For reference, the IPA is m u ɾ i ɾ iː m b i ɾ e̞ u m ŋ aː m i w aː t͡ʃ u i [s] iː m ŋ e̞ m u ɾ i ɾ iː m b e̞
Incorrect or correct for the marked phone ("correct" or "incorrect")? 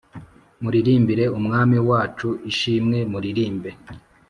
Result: incorrect